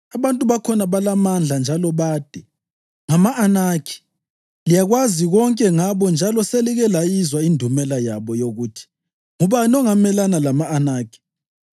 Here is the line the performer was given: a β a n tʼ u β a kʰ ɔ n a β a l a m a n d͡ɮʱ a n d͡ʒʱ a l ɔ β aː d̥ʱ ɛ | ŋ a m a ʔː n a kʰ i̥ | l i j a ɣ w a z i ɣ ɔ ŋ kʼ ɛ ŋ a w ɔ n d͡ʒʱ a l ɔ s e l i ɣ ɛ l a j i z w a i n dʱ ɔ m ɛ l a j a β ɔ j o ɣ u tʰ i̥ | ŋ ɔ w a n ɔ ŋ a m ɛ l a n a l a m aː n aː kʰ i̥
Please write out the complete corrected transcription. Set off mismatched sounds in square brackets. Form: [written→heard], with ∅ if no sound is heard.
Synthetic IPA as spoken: a β a n tʼ u β a kʰ ɔ n a β a l a m a n d͡ɮʱ a n d͡ʒʱ a l ɔ β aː d̥ʱ ɛ | ŋ a m a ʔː n a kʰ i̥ | l i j a ɣ w a z i ɣ ɔ ŋ kʼ ɛ ŋ a [w→β] ɔ n d͡ʒʱ a l ɔ s e l i ɣ ɛ l a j i z w a i n dʱ [ɔ→u] m ɛ l a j a β ɔ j o ɣ u tʰ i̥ | ŋ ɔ [w→β] a n ɔ ŋ a m ɛ l a n a l a m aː n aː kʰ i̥